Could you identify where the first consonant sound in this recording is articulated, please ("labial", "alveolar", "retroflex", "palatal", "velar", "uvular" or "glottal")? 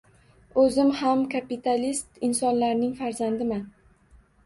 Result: alveolar